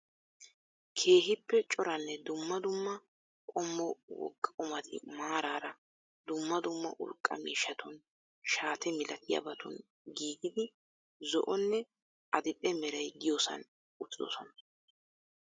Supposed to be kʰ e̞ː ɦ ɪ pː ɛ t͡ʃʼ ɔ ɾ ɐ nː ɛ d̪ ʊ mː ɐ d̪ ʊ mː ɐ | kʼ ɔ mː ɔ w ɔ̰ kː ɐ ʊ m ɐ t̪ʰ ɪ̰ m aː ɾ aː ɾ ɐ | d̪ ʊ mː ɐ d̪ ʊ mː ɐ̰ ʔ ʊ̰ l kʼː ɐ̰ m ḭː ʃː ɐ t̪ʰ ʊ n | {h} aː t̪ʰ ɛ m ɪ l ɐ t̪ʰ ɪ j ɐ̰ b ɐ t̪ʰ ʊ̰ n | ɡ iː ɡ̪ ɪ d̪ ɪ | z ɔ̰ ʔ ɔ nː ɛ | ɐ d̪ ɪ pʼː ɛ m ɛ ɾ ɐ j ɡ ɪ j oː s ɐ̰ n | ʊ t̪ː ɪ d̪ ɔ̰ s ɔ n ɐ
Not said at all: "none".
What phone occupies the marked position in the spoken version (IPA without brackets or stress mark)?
ʃ